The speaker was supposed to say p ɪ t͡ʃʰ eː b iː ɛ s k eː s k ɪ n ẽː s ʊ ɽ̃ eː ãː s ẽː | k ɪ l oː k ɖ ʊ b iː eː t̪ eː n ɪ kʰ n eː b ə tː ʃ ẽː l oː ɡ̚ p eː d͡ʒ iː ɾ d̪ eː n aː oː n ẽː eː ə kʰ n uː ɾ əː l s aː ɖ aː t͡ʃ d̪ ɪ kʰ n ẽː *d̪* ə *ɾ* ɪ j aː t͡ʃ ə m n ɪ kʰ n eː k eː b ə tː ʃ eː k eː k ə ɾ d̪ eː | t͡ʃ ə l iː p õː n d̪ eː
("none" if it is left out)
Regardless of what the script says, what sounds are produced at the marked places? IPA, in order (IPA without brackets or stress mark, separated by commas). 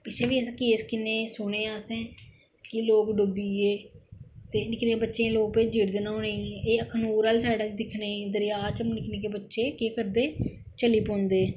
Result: d̪, ɾ